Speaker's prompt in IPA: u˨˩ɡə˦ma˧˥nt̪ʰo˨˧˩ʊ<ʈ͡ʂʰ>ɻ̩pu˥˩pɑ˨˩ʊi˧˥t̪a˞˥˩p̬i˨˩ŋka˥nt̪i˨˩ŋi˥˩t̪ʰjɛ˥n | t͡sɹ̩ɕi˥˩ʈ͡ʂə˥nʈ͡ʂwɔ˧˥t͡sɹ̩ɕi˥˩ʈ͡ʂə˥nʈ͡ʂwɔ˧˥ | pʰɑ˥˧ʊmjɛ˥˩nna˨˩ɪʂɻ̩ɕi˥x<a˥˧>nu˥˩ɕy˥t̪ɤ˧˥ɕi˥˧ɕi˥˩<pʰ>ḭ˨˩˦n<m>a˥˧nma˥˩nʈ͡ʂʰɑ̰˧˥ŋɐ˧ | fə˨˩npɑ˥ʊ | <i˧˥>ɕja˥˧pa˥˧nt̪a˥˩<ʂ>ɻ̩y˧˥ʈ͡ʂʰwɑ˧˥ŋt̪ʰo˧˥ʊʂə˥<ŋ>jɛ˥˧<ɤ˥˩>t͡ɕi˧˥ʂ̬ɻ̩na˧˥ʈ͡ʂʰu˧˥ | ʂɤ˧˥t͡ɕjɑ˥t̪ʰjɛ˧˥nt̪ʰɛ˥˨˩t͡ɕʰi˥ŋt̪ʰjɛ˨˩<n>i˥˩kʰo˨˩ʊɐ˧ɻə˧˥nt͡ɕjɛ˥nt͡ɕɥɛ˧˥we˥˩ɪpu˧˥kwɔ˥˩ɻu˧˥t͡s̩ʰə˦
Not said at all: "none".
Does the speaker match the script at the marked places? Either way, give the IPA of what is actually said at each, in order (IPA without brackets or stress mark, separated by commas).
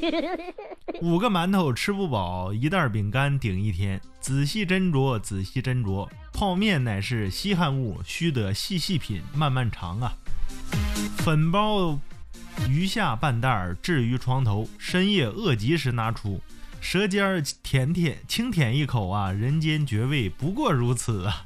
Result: ʈ͡ʂʰ, a˥˧, pʰ, m, y˧˥, ʈ͡ʂ, n, ɤ˥˩, n